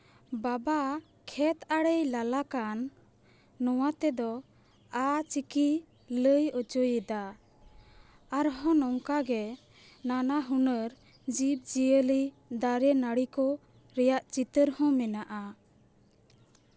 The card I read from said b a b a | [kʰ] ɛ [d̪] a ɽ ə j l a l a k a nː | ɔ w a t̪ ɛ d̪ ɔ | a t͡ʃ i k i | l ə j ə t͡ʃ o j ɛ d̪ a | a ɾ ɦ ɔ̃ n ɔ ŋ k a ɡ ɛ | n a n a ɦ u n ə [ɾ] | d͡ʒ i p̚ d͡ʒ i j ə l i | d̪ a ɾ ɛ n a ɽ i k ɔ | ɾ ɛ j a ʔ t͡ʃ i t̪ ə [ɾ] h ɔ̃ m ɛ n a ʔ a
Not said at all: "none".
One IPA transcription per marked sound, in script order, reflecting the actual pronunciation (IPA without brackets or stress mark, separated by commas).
kʰ, t̪, ɾ, ɾ